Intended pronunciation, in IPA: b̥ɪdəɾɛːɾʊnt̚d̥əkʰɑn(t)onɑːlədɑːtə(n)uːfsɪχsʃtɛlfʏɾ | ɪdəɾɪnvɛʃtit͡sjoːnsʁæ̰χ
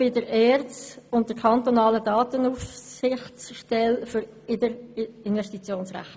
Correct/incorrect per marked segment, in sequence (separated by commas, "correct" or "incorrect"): correct, correct